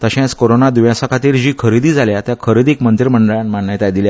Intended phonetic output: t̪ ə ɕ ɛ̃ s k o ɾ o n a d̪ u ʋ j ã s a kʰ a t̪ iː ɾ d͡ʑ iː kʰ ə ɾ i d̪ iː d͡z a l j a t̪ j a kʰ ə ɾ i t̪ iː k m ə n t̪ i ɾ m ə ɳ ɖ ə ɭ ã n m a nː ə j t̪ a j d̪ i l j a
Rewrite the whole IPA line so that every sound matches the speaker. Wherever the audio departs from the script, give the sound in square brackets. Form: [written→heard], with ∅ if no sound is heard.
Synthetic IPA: t̪ ə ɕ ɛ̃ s k o ɾ o n a d̪ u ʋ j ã s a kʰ a t̪ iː ɾ d͡ʑ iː kʰ ə ɾ i d̪ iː d͡z a l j a t̪ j a kʰ ə ɾ i [t̪→d̪] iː k m ə n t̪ i ɾ m ə ɳ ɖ ə ɭ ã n m a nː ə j t̪ a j d̪ i l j a